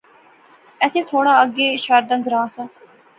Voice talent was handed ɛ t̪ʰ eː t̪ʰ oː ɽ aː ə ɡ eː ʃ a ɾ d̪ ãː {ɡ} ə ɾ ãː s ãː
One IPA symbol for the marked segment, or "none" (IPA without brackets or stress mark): ɡ